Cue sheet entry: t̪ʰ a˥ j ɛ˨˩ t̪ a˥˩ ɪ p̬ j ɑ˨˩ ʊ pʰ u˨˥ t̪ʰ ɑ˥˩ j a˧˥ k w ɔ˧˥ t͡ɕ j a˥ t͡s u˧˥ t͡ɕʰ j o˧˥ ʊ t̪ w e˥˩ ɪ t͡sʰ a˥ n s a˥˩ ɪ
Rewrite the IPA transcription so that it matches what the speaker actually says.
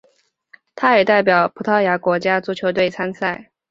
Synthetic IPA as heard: t̪ʰ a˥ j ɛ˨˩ t̪ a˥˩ ɪ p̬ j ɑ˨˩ ʊ pʰ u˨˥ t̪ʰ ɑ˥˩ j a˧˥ k w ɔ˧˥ t͡ɕ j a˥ t͡s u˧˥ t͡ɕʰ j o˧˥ ʊ t̪ w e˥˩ ɪ t͡sʰ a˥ n s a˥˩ ɪ